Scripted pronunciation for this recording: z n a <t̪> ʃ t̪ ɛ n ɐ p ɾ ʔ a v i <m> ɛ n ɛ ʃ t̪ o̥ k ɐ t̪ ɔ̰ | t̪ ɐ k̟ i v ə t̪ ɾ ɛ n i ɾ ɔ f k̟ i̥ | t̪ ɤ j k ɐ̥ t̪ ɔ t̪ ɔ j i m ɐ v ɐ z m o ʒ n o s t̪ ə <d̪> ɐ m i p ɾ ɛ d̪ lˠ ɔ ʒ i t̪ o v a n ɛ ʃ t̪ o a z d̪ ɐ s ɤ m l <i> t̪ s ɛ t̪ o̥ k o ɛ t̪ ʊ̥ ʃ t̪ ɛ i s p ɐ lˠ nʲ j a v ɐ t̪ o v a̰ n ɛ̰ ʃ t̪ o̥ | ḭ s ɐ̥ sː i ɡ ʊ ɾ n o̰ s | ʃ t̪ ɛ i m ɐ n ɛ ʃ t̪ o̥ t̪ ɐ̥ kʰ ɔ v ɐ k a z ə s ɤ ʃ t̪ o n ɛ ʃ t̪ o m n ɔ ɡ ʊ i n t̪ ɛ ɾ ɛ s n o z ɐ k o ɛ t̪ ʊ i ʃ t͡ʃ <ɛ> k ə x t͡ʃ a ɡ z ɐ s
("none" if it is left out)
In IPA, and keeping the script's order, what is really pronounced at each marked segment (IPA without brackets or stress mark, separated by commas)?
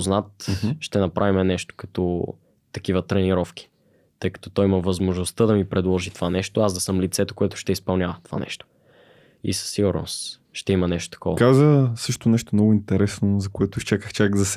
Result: t̪, m, d̪, i, a